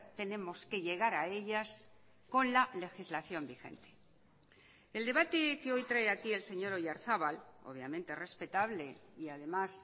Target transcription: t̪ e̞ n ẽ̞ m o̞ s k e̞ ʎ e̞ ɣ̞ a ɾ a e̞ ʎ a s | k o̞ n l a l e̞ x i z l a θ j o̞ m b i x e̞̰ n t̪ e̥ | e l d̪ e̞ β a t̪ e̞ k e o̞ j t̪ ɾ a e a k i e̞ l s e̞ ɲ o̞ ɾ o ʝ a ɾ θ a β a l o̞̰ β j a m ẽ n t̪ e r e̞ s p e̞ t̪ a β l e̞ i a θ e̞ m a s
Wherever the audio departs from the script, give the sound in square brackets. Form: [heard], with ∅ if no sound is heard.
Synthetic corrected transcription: t̪ e̞ n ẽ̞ m o̞ s k e̞ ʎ e̞ ɣ̞ a ɾ a e̞ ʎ a s | k o̞ n l a l e̞ x i z l a θ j o̞ m b i x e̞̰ n t̪ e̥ | e l d̪ e̞ β a t̪ e̞ k e o̞ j t̪ ɾ a e a k i e̞ l s e̞ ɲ o̞ ɾ o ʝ a ɾ θ a β a l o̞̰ β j a m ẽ n t̪ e r e̞ s p e̞ t̪ a β l e̞ i a [ð] e̞ m a s